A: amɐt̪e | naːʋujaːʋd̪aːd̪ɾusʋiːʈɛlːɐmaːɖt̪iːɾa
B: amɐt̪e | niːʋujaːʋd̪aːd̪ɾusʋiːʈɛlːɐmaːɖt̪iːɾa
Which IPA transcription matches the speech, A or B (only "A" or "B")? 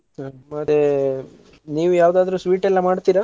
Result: B